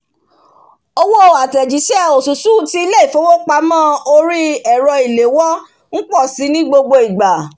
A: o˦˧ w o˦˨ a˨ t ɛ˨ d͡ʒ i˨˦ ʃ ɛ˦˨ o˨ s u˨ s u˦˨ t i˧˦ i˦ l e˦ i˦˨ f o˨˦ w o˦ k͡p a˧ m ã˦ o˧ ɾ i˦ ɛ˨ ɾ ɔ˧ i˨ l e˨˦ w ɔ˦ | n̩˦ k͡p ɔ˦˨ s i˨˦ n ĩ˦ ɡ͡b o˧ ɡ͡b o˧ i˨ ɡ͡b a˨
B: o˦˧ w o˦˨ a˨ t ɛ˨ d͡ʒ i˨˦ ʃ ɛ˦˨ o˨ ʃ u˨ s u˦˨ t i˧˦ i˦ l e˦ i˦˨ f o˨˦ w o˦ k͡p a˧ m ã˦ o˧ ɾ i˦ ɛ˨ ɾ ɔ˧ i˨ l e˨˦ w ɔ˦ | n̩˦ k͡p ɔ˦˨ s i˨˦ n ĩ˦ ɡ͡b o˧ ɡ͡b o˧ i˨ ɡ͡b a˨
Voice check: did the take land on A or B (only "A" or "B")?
A